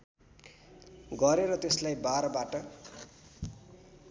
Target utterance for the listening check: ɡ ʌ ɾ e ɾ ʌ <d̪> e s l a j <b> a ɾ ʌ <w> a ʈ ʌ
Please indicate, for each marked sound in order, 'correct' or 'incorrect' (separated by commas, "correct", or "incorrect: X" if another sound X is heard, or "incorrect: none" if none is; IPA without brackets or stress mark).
incorrect: t̪, correct, incorrect: b